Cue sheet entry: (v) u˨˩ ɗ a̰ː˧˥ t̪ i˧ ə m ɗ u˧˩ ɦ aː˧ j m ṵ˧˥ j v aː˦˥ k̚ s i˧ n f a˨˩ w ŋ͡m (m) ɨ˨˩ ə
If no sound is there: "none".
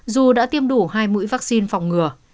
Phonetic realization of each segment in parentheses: z, ŋ

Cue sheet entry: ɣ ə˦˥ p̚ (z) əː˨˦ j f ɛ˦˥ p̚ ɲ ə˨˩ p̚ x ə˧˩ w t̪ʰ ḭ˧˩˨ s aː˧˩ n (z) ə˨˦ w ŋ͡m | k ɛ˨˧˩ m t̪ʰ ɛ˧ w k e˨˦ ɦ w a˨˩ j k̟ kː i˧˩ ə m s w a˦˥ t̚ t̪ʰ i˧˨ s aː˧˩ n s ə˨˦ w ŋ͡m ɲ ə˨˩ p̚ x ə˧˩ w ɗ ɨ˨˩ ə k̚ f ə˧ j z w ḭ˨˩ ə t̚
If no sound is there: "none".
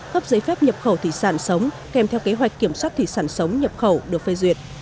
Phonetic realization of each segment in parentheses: z, s

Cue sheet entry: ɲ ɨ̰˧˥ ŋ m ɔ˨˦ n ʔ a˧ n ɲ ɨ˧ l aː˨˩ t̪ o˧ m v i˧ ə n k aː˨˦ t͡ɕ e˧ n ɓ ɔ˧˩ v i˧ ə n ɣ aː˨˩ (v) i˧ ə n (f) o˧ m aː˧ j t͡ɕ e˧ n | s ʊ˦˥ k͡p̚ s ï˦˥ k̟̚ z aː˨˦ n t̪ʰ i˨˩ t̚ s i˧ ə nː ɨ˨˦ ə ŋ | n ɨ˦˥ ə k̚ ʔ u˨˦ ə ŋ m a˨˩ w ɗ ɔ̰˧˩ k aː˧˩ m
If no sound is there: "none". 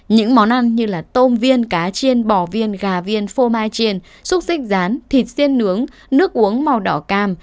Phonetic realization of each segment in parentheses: v, f

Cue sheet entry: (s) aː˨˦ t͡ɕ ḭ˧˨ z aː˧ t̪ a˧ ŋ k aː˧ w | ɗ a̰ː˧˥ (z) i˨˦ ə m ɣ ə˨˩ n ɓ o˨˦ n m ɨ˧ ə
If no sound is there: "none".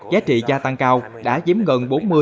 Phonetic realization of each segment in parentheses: z, z

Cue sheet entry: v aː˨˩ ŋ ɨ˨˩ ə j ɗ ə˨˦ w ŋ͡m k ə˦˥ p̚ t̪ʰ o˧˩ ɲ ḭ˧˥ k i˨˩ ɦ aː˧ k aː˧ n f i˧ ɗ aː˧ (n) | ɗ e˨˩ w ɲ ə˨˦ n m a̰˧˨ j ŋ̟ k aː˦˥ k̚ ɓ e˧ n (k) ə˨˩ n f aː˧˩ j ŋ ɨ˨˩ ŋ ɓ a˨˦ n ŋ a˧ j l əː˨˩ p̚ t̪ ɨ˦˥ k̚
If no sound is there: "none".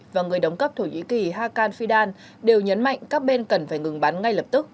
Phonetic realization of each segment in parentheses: n, k

